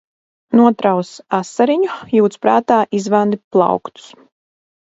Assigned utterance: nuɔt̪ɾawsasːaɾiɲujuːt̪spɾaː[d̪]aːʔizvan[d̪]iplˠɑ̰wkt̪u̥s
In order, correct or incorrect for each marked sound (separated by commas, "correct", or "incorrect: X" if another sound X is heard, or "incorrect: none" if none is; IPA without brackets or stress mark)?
incorrect: t̪, correct